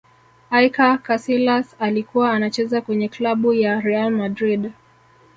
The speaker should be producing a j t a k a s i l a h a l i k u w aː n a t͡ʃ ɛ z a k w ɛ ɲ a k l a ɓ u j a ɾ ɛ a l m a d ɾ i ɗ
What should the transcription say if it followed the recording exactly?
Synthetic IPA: a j k a k a s i l a s a l i k u w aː n a t͡ʃ ɛ z a k w ɛ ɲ ɛ k l a ɓ u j a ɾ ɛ a l m a d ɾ i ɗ

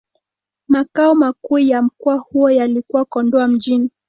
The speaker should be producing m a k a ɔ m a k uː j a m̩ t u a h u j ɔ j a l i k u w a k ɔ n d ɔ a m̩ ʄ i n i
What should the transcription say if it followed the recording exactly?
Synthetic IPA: m a k a ɔ m a k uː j a m̩ k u a h u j ɔ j a l i k u w a k ɔ n d ɔ a m̩ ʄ i n i

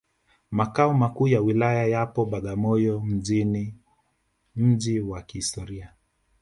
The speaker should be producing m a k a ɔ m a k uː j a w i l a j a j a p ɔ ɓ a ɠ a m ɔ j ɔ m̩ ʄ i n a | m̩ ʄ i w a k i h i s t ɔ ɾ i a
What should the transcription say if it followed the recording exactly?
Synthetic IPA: m a k a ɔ m a k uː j a w i l a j a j a p ɔ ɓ a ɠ a m ɔ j ɔ m̩ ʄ i n i | m̩ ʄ i w a k i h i s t ɔ ɾ i a

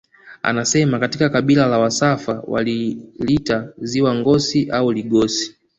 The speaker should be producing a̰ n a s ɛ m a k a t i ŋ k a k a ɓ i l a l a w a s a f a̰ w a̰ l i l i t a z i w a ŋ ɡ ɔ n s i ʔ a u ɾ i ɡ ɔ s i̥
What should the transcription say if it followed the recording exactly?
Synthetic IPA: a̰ n a s ɛ m a k a t i k a k a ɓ i l a l a w a s a f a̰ w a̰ l i l i t a z i w a ŋ ɡ ɔ s i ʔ a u l i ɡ ɔ s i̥

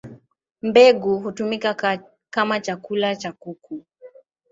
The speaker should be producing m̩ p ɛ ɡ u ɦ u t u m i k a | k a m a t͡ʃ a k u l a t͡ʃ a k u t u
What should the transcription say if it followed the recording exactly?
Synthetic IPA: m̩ b ɛ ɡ u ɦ u t u m i k a | k a m a t͡ʃ a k u l a t͡ʃ a k u k u

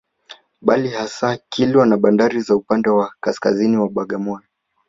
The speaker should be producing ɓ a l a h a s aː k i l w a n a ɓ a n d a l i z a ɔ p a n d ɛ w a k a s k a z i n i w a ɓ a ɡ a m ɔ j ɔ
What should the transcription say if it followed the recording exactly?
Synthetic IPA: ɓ a l i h a s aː k i l w a n a ɓ a n d a ɾ i z a u p a n d ɛ w a k a s k a z i n i w a ɓ a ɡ a m ɔ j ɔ

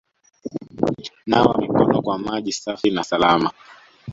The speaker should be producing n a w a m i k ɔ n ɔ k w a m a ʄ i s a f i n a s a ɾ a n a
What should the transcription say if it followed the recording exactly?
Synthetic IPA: n a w a m i k ɔ n ɔ k w a m a ʄ i s a f i n a s a l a m a

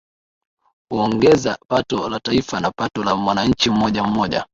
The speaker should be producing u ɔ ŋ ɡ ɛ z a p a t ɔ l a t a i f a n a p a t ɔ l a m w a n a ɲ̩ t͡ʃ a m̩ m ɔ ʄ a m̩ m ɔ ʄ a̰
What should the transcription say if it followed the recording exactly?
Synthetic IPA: u ɔ ŋ ɡ ɛ z a p a t ɔ l a t a i f a n a p a t ɔ l a m w a n a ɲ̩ t͡ʃ i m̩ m ɔ ʄ a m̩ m ɔ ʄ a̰

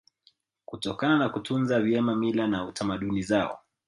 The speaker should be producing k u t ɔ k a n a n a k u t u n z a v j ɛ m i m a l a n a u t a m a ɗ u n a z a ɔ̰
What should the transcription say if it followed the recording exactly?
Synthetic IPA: k u t ɔ k a n a n a k u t u n z a v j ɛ m a m i l a n a u t a m a ɗ u n i z a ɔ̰

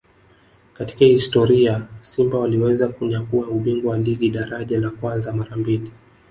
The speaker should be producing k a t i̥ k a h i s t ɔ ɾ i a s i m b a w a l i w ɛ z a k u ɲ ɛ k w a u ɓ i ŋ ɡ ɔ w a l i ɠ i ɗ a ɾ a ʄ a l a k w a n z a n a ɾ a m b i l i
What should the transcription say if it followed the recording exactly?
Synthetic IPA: k a t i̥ k a h i s t ɔ ɾ i a s i m b a w a l i w ɛ z a k u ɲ a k u a u ɓ i ŋ ɡ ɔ w a l i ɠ i ɗ a ɾ a ʄ a l a k w a n z a m a ɾ a m b i l i

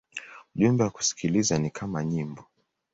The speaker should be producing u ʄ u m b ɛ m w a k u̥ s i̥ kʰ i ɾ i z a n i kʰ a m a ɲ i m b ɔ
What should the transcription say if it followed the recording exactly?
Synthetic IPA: u ʄ u m b ɛ w a k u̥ s i̥ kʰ i l i z a n i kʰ a m a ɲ i m b ɔ

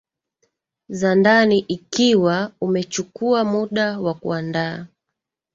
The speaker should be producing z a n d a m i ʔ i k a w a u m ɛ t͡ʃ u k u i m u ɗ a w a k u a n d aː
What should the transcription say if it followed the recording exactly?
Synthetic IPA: z a n d a n i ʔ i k i w a u m ɛ t͡ʃ u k u a m u ɗ a w a k u a n d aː

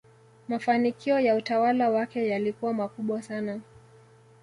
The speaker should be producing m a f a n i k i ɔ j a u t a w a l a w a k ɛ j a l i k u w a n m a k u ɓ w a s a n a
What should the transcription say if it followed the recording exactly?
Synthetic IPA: m a f a n i k i ɔ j a u t a w a l a w a k ɛ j a l i k u w a m a k u ɓ w a s a n a

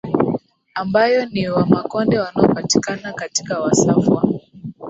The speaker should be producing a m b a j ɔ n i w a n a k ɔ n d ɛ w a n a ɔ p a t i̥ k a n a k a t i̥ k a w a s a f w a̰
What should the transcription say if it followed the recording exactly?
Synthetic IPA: a m b a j ɔ n i w a m a k ɔ n d ɛ w a n a ɔ p a t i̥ k a n a k a t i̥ k a w a s a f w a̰

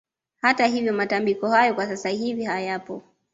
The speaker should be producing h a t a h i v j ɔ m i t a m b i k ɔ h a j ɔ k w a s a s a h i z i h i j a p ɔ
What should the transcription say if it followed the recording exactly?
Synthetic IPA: h a t a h i v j ɔ m a t a m b i k ɔ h a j ɔ k w a s a s a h i v i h a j a p ɔ

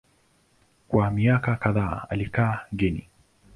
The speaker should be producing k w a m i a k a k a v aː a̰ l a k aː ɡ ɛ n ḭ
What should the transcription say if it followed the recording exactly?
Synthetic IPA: k w a m i a k a k a ð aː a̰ l i k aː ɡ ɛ n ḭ

